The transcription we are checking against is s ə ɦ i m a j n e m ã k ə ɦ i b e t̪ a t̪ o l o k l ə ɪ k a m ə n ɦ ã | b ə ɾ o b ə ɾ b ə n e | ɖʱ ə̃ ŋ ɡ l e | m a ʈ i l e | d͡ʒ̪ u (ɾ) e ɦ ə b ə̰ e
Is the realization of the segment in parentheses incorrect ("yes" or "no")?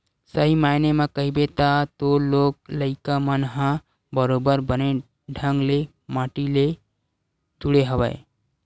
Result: yes